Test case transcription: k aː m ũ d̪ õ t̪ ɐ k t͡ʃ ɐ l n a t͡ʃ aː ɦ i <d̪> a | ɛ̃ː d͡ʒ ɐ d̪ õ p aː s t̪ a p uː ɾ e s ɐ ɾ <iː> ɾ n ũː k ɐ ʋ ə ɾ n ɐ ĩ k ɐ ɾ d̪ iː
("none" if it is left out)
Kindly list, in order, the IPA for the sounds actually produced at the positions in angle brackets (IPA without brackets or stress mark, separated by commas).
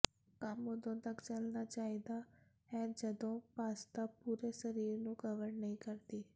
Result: d̪, iː